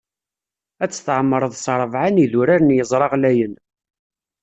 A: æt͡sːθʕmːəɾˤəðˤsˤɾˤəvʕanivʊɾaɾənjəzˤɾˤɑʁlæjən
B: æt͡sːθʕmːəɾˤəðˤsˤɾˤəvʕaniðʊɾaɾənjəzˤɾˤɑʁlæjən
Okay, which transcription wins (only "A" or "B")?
B